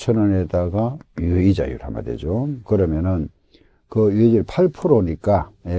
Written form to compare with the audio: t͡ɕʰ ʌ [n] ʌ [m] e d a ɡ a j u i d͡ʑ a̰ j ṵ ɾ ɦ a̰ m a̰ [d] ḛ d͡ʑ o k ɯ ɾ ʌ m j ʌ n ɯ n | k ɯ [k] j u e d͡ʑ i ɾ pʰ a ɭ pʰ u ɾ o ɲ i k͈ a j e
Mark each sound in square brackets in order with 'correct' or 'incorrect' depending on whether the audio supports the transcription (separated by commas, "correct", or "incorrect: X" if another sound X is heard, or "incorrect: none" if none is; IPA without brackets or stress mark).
correct, incorrect: n, correct, incorrect: none